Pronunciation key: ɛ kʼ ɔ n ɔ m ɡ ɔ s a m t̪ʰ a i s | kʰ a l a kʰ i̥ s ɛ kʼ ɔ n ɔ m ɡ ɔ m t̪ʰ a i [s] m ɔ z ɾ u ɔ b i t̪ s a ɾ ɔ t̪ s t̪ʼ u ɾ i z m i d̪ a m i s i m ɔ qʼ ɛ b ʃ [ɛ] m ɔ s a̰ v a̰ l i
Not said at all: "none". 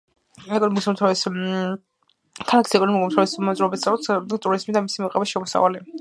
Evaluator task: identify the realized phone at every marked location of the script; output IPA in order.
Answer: s, ɛ

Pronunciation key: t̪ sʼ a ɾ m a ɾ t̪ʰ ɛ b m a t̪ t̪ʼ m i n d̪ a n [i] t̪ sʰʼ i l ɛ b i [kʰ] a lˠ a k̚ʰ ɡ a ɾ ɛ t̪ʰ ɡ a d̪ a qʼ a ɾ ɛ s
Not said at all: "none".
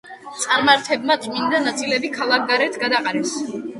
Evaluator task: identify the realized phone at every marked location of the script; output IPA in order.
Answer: a, kʰ

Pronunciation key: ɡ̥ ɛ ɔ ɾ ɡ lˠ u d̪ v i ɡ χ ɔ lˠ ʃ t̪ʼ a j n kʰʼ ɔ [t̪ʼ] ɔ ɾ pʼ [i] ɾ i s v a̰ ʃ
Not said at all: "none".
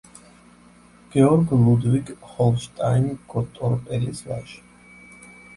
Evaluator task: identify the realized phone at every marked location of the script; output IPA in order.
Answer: t̪ʼ, ɛ

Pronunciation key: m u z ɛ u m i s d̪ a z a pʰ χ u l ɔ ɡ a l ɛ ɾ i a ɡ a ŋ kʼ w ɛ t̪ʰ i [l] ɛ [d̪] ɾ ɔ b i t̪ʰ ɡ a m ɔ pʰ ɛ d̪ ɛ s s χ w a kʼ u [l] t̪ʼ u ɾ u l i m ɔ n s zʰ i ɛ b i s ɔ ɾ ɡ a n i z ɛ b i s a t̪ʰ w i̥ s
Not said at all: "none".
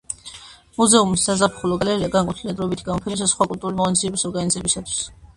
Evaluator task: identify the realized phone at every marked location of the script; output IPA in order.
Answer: l, d̪, l

